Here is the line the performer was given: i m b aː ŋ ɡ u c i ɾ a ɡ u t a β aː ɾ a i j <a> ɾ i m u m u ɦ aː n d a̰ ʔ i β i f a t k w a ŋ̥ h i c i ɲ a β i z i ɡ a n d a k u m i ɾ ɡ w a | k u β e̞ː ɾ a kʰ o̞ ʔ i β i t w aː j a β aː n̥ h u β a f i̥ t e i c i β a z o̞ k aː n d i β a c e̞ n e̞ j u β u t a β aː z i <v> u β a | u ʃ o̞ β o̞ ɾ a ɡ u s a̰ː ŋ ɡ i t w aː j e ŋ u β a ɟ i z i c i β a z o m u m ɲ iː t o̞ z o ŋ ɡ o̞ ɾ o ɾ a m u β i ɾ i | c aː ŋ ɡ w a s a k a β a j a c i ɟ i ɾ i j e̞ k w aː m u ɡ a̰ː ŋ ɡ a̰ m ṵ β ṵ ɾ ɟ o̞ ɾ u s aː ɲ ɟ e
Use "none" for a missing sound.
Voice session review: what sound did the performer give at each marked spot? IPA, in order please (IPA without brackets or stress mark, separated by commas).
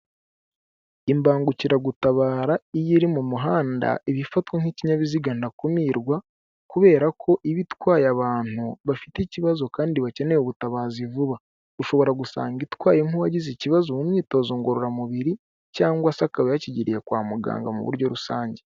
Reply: i, v